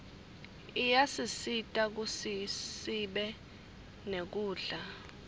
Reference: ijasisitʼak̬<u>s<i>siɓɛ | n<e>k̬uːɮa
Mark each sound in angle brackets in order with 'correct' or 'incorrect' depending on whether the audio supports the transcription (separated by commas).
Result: correct, correct, correct